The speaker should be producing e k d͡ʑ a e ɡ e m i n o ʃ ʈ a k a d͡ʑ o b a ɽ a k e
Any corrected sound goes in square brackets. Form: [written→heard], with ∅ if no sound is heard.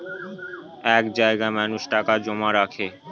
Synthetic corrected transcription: [e→ɛ] k d͡ʑ a e ɡ [e→a] m [i→a] n [o→u] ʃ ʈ a k a d͡ʑ o [b→m] a [ɽ→ɾ] a [k→kʰ] e